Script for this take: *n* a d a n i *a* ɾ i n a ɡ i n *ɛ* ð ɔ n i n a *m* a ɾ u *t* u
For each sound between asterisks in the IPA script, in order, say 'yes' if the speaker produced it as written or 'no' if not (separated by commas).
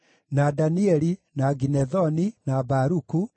yes, no, yes, no, no